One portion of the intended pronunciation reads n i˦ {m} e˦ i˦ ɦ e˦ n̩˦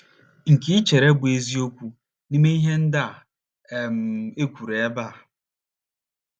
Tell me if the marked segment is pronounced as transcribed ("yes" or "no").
yes